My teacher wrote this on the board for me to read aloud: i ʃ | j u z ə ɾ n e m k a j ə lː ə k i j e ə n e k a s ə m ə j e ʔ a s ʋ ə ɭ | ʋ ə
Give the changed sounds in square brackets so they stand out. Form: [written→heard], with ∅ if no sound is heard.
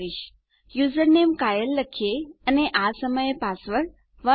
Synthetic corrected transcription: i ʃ | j u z ə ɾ n e m k a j ə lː ə [k→kʰ] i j e ə n e [k→ʔ] a s ə m ə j e [ʔ→p] a s ʋ ə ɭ | ʋ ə

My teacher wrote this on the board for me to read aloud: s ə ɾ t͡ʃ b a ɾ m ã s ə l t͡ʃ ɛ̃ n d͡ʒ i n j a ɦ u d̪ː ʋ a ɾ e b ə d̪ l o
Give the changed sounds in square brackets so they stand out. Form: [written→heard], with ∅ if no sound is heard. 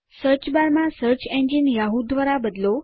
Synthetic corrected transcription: s ə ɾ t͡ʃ b a ɾ m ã s ə [l→ɾ] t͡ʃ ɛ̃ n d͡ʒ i n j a ɦ u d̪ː ʋ a ɾ [e→a] b ə d̪ l o

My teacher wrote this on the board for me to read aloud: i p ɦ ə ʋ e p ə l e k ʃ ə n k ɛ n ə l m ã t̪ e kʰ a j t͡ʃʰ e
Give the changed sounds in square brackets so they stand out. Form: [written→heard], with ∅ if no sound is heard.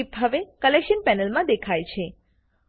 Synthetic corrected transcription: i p ɦ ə ʋ e [p→k] ə l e k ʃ ə n [k→p] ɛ n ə l m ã [t̪→d̪] e kʰ a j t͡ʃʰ e

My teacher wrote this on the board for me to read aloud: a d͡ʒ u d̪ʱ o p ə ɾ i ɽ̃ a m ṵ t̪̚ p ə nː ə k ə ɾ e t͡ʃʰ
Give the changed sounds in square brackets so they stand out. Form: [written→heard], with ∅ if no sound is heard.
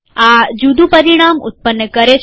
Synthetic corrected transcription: a d͡ʒ u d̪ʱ [o→u] p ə ɾ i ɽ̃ a m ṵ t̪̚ p ə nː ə k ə ɾ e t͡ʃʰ

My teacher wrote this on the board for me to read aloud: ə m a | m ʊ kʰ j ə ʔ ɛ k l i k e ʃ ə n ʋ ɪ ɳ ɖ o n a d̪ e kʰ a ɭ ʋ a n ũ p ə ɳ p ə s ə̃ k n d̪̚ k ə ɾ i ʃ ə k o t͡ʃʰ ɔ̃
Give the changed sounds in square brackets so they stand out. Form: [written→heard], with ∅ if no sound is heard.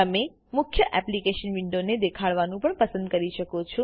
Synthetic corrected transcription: ə m [a→e] | m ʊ kʰ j ə ʔ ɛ [k→p] l i k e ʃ ə n ʋ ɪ ɳ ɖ o n [a→e] d̪ e kʰ a ɭ ʋ a n ũ p ə ɳ p ə s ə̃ [k→∅] n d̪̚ k ə ɾ i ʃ ə k o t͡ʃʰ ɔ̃

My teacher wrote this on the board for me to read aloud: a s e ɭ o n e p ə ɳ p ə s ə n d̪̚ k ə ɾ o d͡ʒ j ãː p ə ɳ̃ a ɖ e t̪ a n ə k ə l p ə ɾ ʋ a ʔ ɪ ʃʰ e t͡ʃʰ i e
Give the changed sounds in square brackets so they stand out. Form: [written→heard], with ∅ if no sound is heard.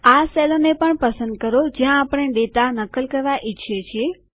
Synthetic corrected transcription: a s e [ɭ→l] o n e p ə ɳ p ə s ə n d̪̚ k ə ɾ o d͡ʒ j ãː p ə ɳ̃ [a→e] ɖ e t̪ a n ə k ə l [p→k] ə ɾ ʋ a ʔ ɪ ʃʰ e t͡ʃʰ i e

